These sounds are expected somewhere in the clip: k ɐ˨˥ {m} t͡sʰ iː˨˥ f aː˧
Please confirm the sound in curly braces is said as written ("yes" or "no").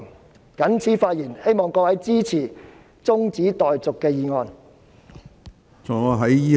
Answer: no